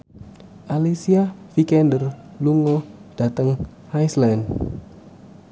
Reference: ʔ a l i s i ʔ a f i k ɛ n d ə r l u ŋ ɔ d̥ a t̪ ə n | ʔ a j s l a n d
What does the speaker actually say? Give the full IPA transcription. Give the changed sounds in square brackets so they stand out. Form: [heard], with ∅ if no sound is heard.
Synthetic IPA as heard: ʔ a l i s i [∅] a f i k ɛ n d ə r l u ŋ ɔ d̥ a t̪ ə [ŋ] | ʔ a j s l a n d

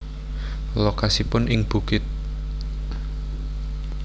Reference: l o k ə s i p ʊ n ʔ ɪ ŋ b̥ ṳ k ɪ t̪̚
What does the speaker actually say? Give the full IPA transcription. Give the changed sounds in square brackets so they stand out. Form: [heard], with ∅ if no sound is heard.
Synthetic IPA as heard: l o k [a] s i p ʊ n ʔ ɪ ŋ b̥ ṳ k ɪ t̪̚

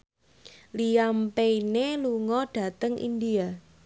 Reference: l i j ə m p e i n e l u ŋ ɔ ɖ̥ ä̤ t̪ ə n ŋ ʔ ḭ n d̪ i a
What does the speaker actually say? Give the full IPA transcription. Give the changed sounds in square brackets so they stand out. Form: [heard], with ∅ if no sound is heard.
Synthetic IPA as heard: l i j [a] m p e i n e l u ŋ ɔ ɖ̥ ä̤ t̪ ə [∅] ŋ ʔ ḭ n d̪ i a

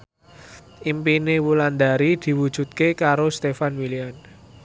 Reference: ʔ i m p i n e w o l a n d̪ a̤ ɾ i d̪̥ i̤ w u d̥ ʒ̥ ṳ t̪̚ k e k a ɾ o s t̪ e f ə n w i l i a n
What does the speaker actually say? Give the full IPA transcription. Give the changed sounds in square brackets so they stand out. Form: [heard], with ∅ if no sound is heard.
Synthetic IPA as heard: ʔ i m p i n e w [u] l a n d̪ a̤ ɾ i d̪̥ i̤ w u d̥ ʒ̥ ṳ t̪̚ k e k a ɾ o s t̪ e f [a] n w i l i a n

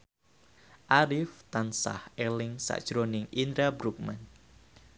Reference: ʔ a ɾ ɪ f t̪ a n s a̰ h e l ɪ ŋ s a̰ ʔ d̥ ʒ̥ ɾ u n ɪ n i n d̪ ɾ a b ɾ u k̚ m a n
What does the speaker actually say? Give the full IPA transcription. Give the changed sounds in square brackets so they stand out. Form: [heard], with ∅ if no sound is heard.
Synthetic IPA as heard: ʔ a ɾ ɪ f t̪ a n s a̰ h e l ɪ ŋ s a̰ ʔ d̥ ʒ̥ ɾ [o] n ɪ [ŋ] i n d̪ ɾ a b ɾ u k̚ m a n

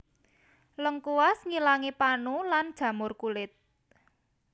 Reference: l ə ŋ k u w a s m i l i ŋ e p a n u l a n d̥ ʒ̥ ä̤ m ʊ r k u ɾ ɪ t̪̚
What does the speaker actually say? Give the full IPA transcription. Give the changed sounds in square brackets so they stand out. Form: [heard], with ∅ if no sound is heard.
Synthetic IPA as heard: l ə ŋ k u w a s [ŋ] i l [a] ŋ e p a n u l a n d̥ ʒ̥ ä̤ m ʊ r k u [l] ɪ t̪̚

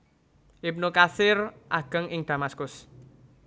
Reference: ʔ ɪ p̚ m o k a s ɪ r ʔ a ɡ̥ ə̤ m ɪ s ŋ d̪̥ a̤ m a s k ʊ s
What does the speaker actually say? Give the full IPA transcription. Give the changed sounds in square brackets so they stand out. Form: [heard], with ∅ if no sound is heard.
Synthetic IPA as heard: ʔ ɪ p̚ [n] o k a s ɪ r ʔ a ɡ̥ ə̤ [ŋ] ɪ [∅] ŋ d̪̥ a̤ m a s k ʊ s

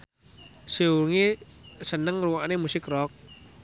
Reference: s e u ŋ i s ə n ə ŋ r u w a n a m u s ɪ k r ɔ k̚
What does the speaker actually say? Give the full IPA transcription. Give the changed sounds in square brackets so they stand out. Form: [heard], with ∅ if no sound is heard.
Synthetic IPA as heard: s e u ŋ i s ə n ə ŋ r u w a n [e] m u s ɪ k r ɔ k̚

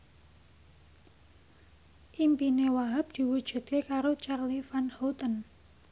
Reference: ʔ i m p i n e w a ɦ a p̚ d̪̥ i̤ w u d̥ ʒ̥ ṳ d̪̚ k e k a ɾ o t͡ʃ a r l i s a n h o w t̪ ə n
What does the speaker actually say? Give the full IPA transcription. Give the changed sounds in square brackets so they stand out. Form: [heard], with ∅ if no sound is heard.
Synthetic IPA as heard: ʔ i m p i n e w a ɦ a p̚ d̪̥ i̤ w u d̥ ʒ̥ ṳ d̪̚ k e k a ɾ o t͡ʃ a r l i [f] a n h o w t̪ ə n

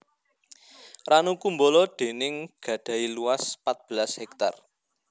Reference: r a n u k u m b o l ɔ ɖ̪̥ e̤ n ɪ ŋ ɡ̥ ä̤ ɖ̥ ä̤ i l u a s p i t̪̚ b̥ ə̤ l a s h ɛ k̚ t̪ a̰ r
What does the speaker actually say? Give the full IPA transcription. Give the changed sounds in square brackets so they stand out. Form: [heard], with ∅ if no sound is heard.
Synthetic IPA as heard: r a n u k u m b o l ɔ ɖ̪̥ e̤ n ɪ ŋ ɡ̥ ä̤ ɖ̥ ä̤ i l u a s p [a] t̪̚ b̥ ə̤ l a s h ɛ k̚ t̪ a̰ r

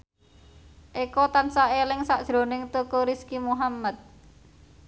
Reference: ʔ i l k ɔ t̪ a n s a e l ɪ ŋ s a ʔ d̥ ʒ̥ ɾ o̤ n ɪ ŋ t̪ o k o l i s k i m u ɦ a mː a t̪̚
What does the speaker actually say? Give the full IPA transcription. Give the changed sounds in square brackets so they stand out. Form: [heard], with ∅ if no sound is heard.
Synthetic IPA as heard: ʔ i [∅] k ɔ t̪ a n s a e l ɪ ŋ s a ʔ d̥ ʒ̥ ɾ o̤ n ɪ ŋ t̪ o k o [ɾ] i s k i m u ɦ a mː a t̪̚

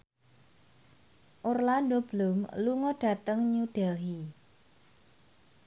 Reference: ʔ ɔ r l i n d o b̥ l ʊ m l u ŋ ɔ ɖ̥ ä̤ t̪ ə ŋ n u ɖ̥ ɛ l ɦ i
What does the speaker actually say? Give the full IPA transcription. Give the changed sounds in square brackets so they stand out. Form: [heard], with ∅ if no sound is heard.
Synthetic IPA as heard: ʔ [o] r l [a] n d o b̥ l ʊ m l u ŋ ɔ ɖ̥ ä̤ t̪ ə ŋ [ɲ] u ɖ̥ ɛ l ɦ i

